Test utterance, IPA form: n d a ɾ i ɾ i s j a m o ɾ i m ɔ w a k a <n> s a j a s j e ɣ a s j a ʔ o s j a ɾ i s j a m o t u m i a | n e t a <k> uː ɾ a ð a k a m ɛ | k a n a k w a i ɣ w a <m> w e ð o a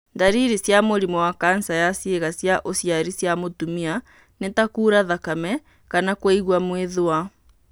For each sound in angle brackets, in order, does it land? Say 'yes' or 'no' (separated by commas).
yes, yes, yes